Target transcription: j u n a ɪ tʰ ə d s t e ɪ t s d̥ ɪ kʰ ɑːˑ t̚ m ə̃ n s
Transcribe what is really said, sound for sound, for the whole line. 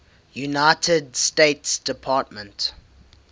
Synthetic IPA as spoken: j u n a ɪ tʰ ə d s t e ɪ t s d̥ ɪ pʰ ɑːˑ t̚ m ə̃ n t

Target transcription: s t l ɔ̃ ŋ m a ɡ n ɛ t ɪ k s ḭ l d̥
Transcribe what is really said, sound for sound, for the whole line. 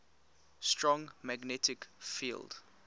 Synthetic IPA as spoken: s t ɹ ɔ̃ ŋ m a ɡ n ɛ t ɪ k f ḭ l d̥

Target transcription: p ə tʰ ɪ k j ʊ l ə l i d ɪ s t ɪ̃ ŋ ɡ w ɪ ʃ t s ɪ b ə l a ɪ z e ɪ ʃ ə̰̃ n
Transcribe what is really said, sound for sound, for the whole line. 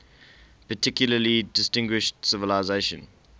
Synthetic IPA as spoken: p ə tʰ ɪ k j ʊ l ə l i d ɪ s t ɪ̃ ŋ ɡ w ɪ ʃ t s ɪ v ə l a ɪ z e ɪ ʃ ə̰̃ n

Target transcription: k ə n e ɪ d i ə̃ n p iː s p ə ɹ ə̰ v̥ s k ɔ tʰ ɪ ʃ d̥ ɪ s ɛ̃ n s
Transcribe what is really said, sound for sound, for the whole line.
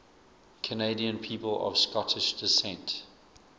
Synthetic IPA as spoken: kʰ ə n e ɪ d i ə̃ n pʰ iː p ə l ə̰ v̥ s k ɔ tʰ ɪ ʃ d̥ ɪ s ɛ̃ n t

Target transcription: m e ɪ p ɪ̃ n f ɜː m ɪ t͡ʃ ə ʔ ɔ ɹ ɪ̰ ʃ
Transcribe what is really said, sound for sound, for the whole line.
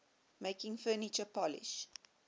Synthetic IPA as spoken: m e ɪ k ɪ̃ ŋ f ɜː n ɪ t͡ʃ ə p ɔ l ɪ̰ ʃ

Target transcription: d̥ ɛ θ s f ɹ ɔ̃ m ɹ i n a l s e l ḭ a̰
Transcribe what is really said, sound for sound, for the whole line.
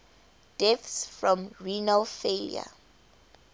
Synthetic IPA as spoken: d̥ ɛ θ s f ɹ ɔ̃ m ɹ i n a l f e l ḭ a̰

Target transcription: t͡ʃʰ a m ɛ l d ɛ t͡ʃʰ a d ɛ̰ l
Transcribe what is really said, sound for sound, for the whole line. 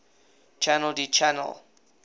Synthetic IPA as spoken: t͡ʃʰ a n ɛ l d i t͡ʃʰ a n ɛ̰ l

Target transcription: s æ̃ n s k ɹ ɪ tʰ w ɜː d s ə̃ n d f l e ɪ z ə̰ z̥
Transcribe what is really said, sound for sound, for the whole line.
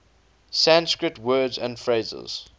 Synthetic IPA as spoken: s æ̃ n s k ɹ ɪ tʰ w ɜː d z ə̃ n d f ɹ e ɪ z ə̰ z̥

